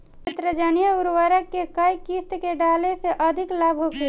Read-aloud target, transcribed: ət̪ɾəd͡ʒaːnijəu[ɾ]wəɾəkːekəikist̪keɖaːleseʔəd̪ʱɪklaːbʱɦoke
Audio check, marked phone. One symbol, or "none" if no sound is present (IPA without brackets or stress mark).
ɾ